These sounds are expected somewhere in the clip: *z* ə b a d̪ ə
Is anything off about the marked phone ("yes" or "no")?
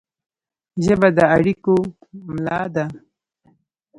yes